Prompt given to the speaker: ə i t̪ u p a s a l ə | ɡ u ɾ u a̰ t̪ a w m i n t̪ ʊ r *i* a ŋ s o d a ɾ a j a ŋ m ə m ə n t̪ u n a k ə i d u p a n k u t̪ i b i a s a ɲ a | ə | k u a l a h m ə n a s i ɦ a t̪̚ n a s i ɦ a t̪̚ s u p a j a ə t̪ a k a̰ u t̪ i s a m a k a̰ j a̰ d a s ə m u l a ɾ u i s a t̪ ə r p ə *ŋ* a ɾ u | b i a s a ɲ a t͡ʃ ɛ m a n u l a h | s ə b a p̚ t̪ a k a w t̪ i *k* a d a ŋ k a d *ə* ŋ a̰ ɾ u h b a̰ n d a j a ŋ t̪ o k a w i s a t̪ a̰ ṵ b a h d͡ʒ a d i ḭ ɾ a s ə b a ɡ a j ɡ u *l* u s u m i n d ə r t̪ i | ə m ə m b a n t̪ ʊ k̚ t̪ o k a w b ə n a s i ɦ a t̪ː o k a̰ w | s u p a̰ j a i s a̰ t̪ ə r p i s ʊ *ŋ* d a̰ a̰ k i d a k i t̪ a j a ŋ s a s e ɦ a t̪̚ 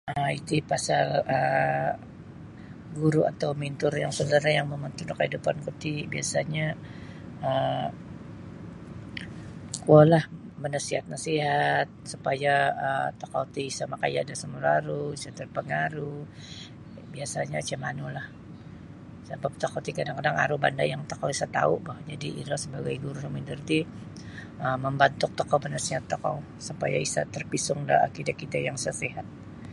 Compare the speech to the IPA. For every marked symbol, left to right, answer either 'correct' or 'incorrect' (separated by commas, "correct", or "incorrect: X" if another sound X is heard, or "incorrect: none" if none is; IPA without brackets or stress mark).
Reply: incorrect: j, correct, correct, incorrect: a, incorrect: ɾ, correct